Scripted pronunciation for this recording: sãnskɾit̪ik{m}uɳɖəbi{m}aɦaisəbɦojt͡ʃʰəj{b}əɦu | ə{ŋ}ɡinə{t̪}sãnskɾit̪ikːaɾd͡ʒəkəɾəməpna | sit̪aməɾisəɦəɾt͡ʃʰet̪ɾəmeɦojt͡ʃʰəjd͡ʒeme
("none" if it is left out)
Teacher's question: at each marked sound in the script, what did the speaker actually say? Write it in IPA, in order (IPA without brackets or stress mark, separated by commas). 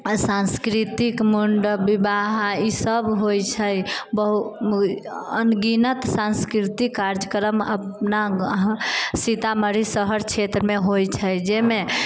m, b, b, n, t̪